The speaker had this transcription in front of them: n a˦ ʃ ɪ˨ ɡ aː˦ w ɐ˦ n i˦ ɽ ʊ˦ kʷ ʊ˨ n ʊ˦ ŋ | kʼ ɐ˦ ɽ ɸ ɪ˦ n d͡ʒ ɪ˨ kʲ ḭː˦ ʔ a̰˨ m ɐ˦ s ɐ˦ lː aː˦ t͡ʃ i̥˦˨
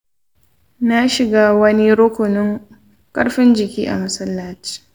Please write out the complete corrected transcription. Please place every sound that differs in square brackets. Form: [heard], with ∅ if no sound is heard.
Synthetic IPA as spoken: n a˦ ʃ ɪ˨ ɡ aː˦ w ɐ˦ n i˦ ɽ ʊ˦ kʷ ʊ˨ n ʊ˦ ŋ | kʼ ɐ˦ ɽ ɸ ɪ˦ n d͡ʒ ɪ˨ kʲ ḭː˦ ʔ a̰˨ m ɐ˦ s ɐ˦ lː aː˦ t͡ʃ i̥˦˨